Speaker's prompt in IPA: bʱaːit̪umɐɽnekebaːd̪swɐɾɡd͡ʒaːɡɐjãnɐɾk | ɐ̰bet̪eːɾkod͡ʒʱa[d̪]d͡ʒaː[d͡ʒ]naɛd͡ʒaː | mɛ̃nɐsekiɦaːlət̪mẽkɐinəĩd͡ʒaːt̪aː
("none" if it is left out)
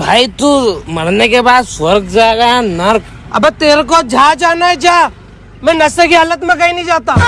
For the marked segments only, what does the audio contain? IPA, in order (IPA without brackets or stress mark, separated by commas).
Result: none, none